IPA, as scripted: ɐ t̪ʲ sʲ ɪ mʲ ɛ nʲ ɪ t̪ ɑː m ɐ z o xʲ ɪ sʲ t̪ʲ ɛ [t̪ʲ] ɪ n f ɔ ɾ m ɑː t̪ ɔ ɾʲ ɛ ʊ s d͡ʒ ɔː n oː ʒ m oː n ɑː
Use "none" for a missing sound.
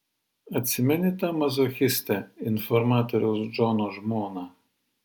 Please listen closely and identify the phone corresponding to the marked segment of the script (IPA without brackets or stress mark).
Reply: none